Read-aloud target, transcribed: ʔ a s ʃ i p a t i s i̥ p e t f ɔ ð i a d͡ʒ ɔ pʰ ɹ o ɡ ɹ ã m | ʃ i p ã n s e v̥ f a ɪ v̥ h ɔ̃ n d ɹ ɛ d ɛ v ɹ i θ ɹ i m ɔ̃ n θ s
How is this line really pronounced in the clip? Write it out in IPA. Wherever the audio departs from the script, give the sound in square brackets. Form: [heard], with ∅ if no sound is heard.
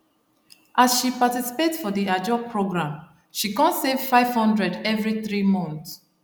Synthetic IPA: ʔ a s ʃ i p a t i s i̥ p e t f ɔ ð i a d͡ʒ ɔ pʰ ɹ o ɡ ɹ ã m | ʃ i [k] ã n s e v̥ f a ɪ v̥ h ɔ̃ n d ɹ ɛ d ɛ v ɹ i θ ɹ i m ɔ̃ n θ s